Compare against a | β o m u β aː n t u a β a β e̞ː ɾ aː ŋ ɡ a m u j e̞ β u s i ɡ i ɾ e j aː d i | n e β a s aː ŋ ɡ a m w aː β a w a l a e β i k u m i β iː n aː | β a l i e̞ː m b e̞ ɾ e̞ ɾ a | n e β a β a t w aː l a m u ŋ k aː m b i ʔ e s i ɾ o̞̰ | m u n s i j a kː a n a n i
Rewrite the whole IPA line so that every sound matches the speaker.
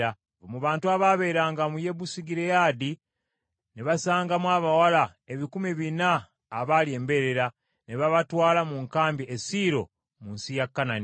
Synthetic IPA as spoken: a | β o m u β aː n t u a β a β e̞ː ɾ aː ŋ ɡ a m u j e̞ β u s i ɡ i ɾ e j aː d i | n e β a s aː ŋ ɡ a m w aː β a w a l a e β i k u m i β i n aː | β a l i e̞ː m b e̞ ɾ e̞ ɾ a | n e β a β a t w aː l a m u ŋ k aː m b i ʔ e s i ɾ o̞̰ | m u n s i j a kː a n a n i